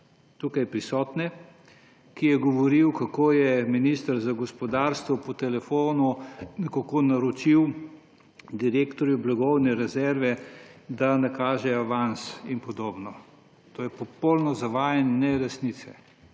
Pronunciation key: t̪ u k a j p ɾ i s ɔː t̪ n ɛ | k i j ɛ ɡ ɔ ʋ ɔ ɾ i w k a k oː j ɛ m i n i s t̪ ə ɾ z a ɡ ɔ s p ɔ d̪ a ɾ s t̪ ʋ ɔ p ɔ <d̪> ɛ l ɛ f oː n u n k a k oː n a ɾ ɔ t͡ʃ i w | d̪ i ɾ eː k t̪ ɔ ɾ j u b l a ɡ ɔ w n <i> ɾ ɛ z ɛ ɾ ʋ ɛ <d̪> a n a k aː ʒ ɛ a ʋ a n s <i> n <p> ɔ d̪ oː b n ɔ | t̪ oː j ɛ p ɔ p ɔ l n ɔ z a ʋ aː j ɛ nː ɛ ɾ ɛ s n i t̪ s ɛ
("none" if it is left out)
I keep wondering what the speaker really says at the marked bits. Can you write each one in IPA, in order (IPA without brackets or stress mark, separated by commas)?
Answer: t̪, ɛ, d̪, i, p